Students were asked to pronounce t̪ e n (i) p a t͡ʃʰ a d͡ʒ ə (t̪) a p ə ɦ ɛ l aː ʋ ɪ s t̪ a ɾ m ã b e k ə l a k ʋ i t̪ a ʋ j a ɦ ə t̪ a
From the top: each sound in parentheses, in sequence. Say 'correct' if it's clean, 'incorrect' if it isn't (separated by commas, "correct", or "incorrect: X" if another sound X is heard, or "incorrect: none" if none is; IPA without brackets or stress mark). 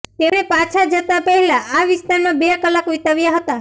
incorrect: e, correct